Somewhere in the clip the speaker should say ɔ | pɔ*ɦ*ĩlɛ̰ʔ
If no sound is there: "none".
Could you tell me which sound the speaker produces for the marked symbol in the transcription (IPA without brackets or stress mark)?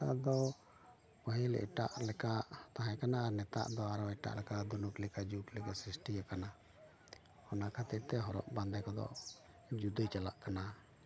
ɦ